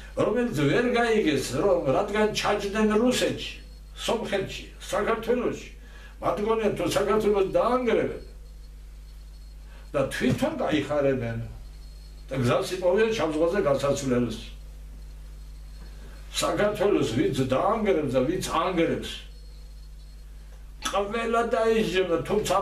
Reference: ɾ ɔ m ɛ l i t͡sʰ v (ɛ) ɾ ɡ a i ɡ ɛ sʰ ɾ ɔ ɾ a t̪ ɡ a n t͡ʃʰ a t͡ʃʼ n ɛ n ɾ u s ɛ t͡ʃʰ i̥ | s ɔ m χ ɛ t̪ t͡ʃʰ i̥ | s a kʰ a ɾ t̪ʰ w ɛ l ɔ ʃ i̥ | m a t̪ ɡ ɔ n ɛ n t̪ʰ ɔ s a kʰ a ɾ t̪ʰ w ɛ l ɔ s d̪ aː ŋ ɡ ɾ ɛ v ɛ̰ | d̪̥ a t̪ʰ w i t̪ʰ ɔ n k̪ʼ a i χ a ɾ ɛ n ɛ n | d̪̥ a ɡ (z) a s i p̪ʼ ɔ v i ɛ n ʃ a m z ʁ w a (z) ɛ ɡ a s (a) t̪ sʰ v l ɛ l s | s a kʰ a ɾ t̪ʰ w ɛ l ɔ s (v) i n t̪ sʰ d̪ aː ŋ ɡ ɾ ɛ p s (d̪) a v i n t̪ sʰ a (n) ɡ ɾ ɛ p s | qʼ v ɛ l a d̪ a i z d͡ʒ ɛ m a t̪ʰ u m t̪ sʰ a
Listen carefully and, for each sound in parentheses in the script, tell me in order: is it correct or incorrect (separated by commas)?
correct, correct, correct, correct, correct, correct, incorrect